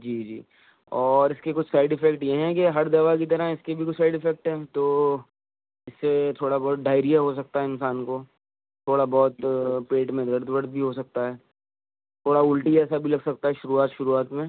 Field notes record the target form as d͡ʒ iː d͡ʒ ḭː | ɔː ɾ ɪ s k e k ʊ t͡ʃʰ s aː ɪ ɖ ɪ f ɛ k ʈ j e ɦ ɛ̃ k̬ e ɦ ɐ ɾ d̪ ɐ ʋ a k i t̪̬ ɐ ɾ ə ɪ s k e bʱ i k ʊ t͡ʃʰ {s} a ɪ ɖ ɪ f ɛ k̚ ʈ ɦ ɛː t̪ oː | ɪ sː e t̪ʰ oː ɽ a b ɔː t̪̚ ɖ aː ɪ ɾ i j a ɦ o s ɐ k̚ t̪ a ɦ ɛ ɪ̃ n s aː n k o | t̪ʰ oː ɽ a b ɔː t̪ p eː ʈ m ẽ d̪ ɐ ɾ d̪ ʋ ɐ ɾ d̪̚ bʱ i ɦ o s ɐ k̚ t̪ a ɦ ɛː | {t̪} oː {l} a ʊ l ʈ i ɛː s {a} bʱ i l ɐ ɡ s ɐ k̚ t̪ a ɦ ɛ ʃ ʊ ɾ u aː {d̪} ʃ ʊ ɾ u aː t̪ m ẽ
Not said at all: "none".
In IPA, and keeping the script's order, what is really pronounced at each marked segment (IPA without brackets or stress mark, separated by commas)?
s, t̪ʰ, ɽ, a, t̪